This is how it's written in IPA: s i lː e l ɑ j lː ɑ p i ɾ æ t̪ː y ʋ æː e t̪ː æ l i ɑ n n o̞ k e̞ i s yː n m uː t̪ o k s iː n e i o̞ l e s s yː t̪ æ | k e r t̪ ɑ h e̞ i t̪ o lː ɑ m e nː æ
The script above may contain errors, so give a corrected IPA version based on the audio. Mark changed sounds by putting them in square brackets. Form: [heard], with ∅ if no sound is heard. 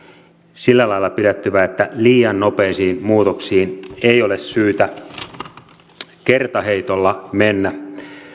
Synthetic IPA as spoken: s i lː [æ] l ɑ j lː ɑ p i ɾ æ t̪ː y ʋ [æ] e t̪ː æ l [iː] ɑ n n o̞ [p] e̞ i s [iː] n m uː t̪ o k s iː n e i o̞ l e s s yː t̪ æ | k e r t̪ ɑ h e̞ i t̪ o lː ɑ m e nː æ